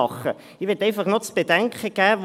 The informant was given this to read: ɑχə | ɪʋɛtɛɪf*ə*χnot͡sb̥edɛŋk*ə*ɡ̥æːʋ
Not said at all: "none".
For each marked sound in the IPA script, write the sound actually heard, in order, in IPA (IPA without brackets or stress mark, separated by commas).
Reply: ɑ, ə